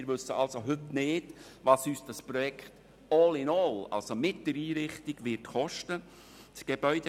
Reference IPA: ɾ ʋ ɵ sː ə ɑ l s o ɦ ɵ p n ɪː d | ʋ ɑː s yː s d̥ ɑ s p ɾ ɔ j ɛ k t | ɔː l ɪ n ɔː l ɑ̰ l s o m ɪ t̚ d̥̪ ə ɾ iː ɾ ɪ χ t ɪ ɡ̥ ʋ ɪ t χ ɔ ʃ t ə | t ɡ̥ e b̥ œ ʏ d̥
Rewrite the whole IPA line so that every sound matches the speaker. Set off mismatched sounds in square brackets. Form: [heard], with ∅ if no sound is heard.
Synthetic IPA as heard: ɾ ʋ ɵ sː ə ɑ l s o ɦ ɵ [t] n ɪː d | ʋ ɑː s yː s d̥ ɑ s p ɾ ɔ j ɛ k t | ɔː l ɪ n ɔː l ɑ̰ l s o m ɪ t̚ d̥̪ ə ɾ iː ɾ ɪ χ t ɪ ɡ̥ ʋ ɪ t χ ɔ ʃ t ə | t ɡ̥ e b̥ œ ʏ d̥